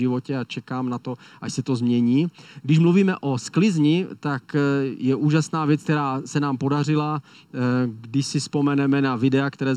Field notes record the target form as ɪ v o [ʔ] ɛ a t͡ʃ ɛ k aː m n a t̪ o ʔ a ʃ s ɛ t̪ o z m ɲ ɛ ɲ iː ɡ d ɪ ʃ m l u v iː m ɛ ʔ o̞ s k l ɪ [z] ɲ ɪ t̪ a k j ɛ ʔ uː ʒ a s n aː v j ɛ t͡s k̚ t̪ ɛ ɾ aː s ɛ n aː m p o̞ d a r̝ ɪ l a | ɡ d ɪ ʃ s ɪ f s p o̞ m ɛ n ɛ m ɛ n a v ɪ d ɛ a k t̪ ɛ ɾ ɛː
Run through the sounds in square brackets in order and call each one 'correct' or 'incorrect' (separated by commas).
incorrect, correct